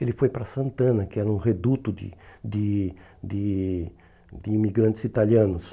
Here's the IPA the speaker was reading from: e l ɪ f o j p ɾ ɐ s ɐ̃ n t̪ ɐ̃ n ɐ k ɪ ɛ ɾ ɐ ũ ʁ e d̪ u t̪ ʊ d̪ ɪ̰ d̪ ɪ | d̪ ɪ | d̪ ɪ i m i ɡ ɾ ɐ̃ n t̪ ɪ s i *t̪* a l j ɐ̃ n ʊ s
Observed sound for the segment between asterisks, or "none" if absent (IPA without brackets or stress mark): t̪